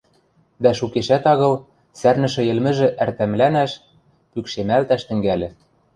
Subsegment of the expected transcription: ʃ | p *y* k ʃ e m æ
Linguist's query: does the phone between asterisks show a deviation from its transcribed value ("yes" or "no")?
no